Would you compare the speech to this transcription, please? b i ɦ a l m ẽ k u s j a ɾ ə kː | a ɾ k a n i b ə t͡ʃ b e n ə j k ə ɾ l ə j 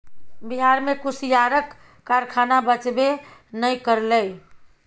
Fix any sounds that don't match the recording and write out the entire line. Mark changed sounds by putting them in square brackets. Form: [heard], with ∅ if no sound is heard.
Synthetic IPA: b i ɦ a [ɾ] m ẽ k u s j a ɾ ə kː | a ɾ [kʰ] a n [a] b ə t͡ʃ b e n ə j k ə ɾ l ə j